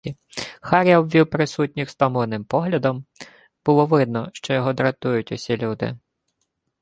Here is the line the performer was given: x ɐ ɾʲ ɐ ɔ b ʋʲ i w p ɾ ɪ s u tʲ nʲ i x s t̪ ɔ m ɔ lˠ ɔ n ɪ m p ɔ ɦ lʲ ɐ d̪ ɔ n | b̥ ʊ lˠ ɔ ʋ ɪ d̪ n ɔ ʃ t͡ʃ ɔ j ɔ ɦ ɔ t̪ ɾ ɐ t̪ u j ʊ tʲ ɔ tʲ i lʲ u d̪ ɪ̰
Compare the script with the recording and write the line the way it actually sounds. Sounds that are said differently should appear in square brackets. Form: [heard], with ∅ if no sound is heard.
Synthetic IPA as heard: x [ɑ] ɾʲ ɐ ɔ b ʋʲ i w p ɾ ɪ s u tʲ nʲ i x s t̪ ɔ m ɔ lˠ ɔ n ɪ m p ɔ ɦ lʲ ɐ d̪ ɔ [m] | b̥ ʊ lˠ ɔ ʋ ɪ d̪ n ɔ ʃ t͡ʃ ɔ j ɔ ɦ ɔ [d̪] ɾ ɐ t̪ u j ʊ tʲ ɔ [sʲ] i lʲ u d̪ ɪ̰

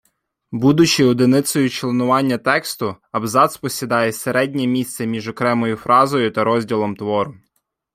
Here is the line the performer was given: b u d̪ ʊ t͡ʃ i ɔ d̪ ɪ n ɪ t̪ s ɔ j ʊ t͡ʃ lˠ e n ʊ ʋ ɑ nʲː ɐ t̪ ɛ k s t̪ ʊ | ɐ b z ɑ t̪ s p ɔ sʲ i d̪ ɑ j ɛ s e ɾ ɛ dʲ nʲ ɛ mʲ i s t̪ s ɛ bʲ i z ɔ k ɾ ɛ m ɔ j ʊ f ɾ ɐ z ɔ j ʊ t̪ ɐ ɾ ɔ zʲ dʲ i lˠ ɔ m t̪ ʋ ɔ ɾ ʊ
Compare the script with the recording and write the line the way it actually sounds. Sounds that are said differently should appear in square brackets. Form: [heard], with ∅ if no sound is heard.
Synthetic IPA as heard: b u d̪ ʊ t͡ʃ i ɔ d̪ ɪ n ɪ t̪ s ɔ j ʊ t͡ʃ lˠ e n ʊ ʋ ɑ nʲː ɐ t̪ ɛ k s t̪ ʊ | ɐ b z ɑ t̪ s p ɔ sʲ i d̪ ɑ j ɛ s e ɾ ɛ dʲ nʲ ɛ mʲ i s t̪ s ɛ [mʲ] i [ʒ] ɔ k ɾ ɛ m ɔ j ʊ f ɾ [ɑ] z ɔ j ʊ t̪ ɐ ɾ ɔ zʲ dʲ i lˠ ɔ m t̪ ʋ ɔ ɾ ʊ

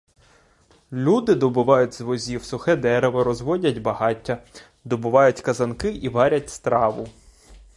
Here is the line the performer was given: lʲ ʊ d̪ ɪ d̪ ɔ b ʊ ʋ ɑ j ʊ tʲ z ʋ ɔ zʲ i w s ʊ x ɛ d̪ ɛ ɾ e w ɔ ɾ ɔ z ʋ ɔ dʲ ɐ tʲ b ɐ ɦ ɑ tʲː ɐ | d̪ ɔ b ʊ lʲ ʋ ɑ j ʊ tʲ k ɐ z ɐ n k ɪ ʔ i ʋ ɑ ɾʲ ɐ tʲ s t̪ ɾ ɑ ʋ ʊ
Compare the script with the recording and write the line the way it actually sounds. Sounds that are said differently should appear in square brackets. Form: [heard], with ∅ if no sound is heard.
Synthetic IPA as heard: lʲ [u] d̪ ɪ d̪ ɔ b ʊ ʋ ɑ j ʊ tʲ z ʋ ɔ zʲ i w s ʊ x ɛ d̪ ɛ ɾ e [ʋ] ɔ ɾ ɔ z ʋ ɔ dʲ ɐ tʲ b ɐ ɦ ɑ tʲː ɐ | d̪ ɔ b ʊ [∅] ʋ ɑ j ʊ tʲ k ɐ z ɐ n k ɪ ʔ i ʋ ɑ ɾʲ ɐ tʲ s t̪ ɾ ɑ ʋ ʊ

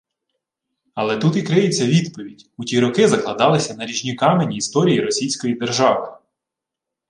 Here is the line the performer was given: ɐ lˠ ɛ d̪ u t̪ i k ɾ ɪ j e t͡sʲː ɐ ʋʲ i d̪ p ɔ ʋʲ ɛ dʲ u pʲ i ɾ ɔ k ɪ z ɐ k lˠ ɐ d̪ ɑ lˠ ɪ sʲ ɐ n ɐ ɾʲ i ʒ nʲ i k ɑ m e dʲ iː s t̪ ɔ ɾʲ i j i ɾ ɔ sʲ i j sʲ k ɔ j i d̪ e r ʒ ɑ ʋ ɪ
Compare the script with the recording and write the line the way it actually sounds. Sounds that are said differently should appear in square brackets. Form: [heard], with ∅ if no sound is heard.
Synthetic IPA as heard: ɐ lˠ ɛ [t̪] u t̪ i k ɾ ɪ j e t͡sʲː ɐ ʋʲ i d̪ p ɔ ʋʲ [i] dʲ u [tʲ] i ɾ ɔ k ɪ z ɐ k lˠ ɐ d̪ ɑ lˠ ɪ sʲ ɐ n ɐ ɾʲ i ʒ nʲ i k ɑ m e [nʲ] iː s t̪ ɔ ɾʲ i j i ɾ ɔ sʲ i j sʲ k ɔ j i d̪ e r ʒ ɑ ʋ ɪ

